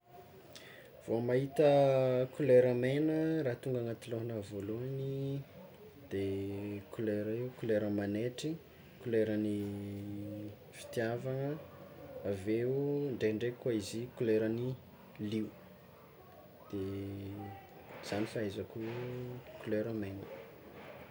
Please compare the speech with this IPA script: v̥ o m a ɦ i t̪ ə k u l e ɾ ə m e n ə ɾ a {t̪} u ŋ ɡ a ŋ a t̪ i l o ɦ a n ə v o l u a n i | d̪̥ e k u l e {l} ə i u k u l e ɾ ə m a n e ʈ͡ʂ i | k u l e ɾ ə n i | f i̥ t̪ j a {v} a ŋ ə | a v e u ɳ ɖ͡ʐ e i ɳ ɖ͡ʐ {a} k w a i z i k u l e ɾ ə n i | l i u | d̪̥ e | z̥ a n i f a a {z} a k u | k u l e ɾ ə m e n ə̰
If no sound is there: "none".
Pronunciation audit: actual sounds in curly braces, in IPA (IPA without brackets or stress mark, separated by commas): t̪, ɾ, v, e, z